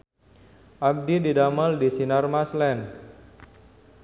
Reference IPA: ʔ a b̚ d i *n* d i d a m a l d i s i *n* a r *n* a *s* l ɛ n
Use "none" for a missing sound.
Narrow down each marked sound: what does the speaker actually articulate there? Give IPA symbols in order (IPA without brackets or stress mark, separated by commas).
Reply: none, n, m, s